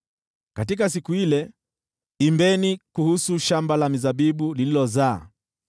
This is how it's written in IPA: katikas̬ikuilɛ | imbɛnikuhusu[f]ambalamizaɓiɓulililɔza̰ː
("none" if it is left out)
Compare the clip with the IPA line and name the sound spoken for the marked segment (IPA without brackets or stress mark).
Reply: ʃ